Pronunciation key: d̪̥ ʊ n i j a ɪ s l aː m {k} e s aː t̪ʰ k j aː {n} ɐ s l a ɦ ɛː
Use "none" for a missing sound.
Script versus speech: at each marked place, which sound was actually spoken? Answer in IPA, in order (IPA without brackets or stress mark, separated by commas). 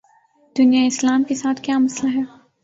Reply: k, m